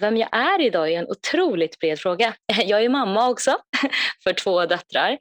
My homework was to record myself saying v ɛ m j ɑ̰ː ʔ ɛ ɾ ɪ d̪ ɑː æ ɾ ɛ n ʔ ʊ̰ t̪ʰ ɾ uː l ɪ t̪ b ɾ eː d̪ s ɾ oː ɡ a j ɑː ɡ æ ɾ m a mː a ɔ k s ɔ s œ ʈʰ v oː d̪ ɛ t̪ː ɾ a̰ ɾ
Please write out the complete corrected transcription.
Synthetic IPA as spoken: v ɛ m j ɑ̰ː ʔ æ ɾ ɪ d̪ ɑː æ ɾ ɛ n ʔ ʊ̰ t̪ʰ ɾ uː l ɪ t̪ b ɾ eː d̪ f ɾ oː ɡ a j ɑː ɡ æ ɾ m a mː a ɔ k s ɔ f œ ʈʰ v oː d̪ œ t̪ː ɾ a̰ ɾ